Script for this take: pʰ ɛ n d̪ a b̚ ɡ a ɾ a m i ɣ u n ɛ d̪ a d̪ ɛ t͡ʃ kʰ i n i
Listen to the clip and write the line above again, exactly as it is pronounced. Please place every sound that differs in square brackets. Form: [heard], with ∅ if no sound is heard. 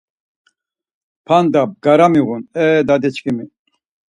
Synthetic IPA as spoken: pʰ [a] n d̪ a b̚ ɡ a ɾ a m i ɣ u n ɛ d̪ a d̪ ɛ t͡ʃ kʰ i [m] i